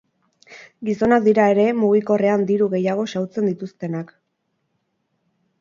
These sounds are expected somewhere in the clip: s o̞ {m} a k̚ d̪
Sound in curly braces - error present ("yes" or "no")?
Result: yes